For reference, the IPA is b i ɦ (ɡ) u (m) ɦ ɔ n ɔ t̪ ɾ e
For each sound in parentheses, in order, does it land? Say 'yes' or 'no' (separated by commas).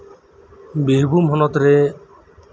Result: no, yes